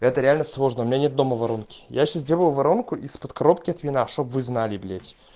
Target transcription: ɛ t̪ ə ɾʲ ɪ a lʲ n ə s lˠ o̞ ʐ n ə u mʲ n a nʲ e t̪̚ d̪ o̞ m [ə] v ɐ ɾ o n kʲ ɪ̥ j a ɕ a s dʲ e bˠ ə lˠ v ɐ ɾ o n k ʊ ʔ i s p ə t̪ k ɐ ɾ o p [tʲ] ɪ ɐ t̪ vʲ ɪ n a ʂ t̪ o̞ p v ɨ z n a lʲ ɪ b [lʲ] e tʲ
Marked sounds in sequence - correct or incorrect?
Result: correct, incorrect: kʲ, correct

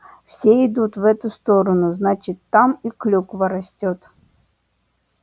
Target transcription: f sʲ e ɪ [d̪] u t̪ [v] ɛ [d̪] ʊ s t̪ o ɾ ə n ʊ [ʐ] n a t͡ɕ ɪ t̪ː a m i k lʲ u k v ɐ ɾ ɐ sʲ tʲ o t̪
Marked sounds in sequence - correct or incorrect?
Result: correct, correct, incorrect: t̪, incorrect: z

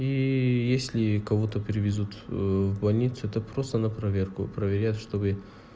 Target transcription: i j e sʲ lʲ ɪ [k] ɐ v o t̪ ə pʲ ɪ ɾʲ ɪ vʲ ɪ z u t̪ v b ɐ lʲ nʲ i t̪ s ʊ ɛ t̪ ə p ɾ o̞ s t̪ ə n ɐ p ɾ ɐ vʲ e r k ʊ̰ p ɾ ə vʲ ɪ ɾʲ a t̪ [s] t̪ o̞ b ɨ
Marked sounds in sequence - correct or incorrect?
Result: correct, incorrect: ʂ

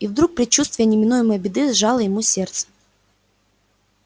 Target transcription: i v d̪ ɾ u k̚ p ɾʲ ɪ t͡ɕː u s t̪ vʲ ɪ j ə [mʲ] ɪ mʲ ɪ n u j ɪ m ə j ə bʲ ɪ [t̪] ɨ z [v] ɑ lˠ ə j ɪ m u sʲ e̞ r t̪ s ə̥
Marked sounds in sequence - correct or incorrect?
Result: incorrect: nʲ, incorrect: d̪, incorrect: ʐ

